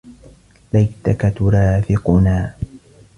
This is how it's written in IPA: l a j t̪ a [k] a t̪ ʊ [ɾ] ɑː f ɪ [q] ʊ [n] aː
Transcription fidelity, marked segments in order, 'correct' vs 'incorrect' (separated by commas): correct, correct, correct, correct